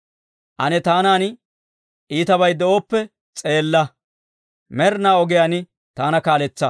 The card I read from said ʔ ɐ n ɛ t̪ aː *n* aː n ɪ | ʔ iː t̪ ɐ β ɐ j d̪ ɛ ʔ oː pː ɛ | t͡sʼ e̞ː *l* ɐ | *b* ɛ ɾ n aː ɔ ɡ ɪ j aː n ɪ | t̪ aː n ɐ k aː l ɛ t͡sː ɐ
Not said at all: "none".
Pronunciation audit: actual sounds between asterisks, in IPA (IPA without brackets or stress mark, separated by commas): n, lː, m